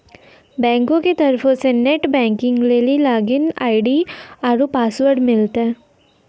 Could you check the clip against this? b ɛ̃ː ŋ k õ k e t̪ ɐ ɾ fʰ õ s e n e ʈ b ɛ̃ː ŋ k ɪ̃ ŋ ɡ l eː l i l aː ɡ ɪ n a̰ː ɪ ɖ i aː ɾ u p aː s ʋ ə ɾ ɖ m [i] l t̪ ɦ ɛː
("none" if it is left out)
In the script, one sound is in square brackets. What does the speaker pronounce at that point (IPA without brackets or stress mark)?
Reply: ɪ